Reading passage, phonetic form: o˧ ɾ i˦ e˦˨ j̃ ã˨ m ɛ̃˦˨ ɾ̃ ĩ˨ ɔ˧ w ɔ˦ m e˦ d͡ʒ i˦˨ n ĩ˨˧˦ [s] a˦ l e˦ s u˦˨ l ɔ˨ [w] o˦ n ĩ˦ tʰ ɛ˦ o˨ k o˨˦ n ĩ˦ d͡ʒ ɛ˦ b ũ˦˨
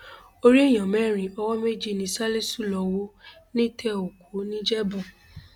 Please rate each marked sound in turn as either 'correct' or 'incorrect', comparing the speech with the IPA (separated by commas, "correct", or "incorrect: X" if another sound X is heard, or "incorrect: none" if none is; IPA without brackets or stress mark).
correct, correct